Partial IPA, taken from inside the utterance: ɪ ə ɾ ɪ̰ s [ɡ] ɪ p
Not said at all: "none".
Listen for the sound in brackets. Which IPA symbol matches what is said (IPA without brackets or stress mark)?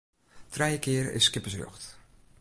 k